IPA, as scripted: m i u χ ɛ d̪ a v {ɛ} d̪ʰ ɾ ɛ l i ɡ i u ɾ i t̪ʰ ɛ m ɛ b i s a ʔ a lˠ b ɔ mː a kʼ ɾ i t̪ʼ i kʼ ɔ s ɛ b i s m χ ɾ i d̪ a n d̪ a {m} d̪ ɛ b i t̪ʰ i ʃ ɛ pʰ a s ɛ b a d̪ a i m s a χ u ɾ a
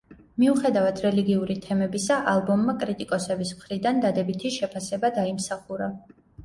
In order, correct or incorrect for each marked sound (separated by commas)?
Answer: incorrect, incorrect